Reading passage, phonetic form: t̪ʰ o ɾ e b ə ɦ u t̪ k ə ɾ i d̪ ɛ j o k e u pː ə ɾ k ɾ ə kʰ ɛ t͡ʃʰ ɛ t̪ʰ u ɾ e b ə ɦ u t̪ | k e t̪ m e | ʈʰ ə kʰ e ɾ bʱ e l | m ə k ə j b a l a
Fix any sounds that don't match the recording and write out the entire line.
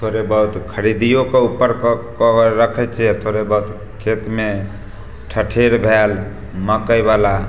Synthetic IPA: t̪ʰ o ɾ e b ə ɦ u t̪ kʰ ə ɾ i d̪ i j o k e u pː ə ɾ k ɾ ə kʰ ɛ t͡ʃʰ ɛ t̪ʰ o ɾ e b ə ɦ u t̪ | kʰ e t̪ m e | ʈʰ ə ʈʰ e ɾ bʱ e l | m ə k ə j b a l a

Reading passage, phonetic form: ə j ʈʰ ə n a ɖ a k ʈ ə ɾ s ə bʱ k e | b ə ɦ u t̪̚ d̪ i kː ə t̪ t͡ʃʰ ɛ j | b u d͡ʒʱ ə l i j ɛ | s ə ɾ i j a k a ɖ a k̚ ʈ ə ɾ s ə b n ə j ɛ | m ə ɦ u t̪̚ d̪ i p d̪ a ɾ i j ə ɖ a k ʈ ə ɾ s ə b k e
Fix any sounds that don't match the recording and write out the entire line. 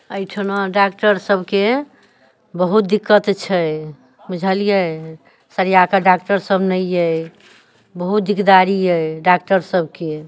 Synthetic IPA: ə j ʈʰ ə n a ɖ a k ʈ ə ɾ s ə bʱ k e | b ə ɦ u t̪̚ d̪ i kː ə t̪ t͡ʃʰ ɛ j | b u d͡ʒʱ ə l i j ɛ | s ə ɾ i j a k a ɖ a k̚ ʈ ə ɾ s ə b n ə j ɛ | b ə ɦ u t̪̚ d̪ i k d̪ a ɾ i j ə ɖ a k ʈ ə ɾ s ə b k e

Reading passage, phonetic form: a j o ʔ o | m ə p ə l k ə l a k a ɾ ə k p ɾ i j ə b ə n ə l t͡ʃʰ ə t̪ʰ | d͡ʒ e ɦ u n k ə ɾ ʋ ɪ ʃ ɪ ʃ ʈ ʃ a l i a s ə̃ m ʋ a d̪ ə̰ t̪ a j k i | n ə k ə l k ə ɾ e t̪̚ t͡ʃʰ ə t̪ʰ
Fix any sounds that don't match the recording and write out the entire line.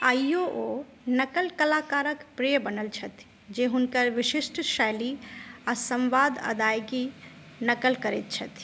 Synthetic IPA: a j o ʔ o | n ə k ə l k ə l a k a ɾ ə k p ɾ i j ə b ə n ə l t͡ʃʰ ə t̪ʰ | d͡ʒ e ɦ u n k ə ɾ ʋ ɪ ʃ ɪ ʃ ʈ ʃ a l i a s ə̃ m ʋ a d̪ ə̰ d̪ a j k i | n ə k ə l k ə ɾ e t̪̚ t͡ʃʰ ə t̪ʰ

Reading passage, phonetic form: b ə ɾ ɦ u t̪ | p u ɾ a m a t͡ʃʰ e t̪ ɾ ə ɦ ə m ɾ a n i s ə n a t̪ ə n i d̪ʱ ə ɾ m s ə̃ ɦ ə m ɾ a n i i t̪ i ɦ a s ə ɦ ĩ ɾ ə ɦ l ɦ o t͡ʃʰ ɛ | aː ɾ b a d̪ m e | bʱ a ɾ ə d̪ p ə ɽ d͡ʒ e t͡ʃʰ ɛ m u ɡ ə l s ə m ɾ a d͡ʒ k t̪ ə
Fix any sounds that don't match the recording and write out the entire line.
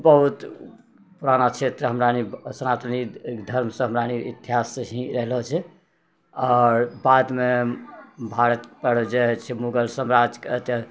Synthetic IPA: b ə ɦ u t̪ | p u ɾ a n a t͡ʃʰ e t̪ ɾ ə ɦ ə m ɾ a n i s ə n a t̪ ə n i d̪ʱ ə ɾ m s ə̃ ɦ ə m ɾ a n i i t̪ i ɦ a s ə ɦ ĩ ɾ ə ɦ l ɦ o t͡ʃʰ ɛ | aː ɾ b a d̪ m e | bʱ a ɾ ə t̪ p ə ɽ d͡ʒ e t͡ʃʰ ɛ m u ɡ ə l s ə m ɾ a d͡ʒ k t̪ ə

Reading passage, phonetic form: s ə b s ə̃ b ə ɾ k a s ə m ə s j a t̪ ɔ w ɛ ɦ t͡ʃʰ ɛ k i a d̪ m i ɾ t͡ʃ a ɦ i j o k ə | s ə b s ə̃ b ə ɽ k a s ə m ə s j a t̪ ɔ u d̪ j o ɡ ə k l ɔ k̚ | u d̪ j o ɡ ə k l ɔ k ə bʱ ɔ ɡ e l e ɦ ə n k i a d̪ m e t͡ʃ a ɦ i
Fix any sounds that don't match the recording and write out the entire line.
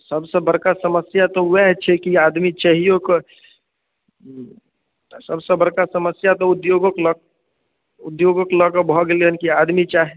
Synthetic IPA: s ə b s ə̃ b ə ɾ k a s ə m ə s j a t̪ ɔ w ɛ ɦ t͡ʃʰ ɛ k i a d̪ m i t͡ʃ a ɦ i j o k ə | s ə b s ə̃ b ə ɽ k a s ə m ə s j a t̪ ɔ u d̪ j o ɡ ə k l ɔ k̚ | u d̪ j o ɡ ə k l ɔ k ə bʱ ɔ ɡ e l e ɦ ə n k i a d̪ m i t͡ʃ a ɦ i

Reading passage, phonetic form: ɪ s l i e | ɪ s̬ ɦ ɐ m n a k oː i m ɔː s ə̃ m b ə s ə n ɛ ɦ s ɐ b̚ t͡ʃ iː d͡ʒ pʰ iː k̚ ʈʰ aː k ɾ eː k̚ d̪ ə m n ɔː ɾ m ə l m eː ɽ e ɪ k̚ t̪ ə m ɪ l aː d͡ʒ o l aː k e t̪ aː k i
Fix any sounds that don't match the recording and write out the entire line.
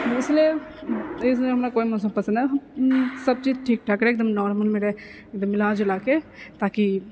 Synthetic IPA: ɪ s l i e | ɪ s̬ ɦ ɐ m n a k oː i m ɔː s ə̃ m p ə s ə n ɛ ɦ s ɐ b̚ t͡ʃ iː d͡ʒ ʈʰ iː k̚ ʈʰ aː k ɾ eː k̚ d̪ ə m n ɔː ɾ m ə l m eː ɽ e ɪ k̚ d̪ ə m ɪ l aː d͡ʒ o l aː k e t̪ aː k i

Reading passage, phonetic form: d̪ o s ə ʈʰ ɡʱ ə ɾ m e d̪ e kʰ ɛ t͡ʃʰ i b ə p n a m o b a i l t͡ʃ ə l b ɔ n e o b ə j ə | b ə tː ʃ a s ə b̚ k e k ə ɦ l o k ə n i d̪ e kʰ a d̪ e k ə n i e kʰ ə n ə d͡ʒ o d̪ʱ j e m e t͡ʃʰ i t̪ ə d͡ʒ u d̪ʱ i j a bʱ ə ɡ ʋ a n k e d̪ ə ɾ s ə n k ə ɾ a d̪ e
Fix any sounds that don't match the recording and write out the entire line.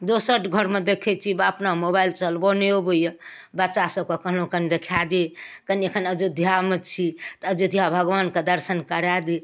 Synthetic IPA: d̪ o s ə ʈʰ ɡʱ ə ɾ m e d̪ e kʰ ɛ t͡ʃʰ i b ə p n a m o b a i l t͡ʃ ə l b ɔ n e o b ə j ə | b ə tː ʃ a s ə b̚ k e k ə ɦ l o k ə n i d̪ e kʰ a d̪ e k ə n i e kʰ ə n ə d͡ʒ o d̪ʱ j a m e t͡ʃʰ i t̪ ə d͡ʒ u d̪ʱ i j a bʱ ə ɡ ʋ a n k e d̪ ə ɾ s ə n k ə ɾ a d̪ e

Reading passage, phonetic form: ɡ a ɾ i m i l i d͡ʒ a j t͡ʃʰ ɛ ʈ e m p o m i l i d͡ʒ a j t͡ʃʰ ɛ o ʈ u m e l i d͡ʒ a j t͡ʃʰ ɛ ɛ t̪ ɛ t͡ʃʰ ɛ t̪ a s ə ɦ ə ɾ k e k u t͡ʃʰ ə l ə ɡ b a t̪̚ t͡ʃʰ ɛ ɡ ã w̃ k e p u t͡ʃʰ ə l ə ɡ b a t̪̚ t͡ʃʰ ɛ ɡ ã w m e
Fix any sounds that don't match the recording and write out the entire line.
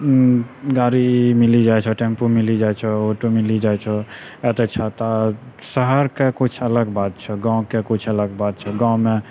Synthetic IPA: ɡ a ɾ i m i l i d͡ʒ a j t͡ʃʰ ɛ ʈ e m p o m i l i d͡ʒ a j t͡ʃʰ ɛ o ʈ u m i l i d͡ʒ a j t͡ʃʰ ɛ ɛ t̪ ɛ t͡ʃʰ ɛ t̪ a s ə ɦ ə ɾ k e k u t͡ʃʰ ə l ə ɡ b a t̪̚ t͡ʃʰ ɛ ɡ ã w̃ k e k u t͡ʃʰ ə l ə ɡ b a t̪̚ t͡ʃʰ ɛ ɡ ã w m e

